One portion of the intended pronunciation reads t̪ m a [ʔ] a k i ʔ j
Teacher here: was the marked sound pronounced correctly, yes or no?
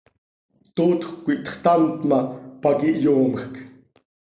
no